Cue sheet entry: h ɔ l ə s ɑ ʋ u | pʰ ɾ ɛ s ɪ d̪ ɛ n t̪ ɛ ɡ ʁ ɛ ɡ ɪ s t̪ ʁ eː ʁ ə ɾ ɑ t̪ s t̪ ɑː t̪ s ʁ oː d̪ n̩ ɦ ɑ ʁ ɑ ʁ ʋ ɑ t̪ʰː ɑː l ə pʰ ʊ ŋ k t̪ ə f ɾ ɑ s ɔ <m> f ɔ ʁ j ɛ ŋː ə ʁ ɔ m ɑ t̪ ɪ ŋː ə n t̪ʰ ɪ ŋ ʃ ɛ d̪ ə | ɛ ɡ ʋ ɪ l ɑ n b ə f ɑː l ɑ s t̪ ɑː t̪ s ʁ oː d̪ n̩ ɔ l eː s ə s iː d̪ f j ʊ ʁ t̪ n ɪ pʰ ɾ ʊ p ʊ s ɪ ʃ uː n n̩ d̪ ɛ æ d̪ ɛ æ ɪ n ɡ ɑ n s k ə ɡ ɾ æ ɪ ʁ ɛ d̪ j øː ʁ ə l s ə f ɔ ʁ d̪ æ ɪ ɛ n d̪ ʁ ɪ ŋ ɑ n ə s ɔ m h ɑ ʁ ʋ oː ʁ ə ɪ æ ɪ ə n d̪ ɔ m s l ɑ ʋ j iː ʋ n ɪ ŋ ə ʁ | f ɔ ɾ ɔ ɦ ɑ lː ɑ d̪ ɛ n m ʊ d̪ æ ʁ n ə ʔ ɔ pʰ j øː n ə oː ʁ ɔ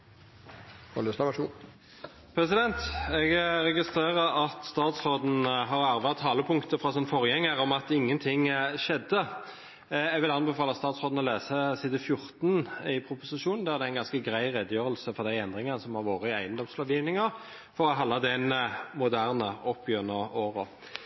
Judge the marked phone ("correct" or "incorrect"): incorrect